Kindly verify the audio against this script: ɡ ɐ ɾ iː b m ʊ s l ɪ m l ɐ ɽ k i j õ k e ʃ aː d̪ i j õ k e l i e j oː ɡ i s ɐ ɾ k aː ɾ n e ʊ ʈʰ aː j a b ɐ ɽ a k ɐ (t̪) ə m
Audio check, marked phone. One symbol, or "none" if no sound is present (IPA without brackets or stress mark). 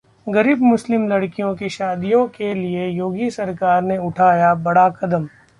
d̪